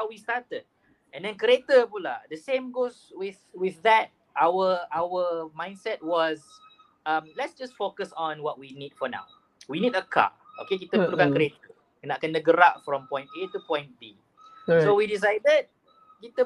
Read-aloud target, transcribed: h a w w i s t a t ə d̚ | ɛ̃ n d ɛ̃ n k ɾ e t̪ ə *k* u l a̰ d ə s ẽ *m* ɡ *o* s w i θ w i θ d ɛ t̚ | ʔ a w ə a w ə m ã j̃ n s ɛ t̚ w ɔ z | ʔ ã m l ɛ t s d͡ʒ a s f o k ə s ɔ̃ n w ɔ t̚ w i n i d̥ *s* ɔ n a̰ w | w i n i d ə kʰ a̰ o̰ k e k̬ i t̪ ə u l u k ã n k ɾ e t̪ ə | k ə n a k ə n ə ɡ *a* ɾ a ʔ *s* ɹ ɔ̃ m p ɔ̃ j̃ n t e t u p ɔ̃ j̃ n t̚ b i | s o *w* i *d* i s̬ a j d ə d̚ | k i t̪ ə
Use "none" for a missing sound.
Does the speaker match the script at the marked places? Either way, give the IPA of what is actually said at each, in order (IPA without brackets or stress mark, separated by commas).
p, m, o, f, ə, f, w, d